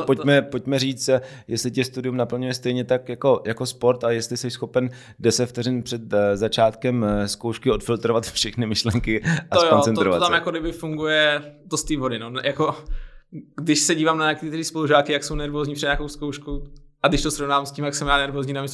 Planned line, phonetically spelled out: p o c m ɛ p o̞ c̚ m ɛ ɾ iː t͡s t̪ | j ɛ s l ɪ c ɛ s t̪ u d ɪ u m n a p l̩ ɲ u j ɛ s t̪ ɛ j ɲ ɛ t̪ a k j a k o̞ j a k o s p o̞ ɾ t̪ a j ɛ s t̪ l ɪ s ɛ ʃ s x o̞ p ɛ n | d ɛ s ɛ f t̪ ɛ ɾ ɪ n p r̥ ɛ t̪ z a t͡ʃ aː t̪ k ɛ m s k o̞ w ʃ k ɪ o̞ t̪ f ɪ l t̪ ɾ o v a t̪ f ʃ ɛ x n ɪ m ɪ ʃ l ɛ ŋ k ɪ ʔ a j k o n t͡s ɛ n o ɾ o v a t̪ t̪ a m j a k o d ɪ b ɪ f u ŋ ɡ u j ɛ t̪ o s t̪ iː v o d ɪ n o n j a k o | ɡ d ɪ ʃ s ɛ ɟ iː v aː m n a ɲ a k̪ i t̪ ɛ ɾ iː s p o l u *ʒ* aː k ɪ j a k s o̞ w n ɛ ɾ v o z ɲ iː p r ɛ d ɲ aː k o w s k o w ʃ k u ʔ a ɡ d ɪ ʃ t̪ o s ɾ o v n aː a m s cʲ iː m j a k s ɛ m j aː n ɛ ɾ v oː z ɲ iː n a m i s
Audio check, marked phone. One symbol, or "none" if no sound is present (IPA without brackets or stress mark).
ʒ